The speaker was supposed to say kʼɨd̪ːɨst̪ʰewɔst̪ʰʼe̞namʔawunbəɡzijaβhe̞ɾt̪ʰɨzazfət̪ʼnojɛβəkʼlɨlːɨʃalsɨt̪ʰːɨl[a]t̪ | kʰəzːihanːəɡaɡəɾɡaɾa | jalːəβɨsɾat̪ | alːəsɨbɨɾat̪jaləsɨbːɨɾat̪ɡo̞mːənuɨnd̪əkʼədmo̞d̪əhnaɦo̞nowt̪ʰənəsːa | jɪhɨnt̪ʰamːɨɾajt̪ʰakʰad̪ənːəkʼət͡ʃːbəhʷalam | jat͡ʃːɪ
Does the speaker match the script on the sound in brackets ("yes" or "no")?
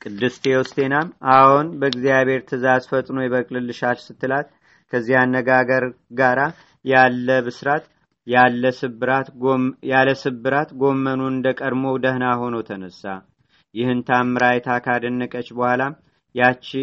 yes